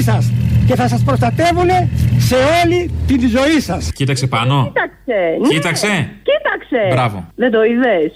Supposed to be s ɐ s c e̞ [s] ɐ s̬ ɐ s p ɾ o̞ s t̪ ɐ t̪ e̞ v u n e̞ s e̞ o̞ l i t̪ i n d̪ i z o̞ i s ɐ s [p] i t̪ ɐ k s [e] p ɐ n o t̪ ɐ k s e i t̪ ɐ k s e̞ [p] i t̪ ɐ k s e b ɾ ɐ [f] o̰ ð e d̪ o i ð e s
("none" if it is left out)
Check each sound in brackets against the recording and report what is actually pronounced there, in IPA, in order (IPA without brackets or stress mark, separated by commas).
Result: θ, c, e, c, v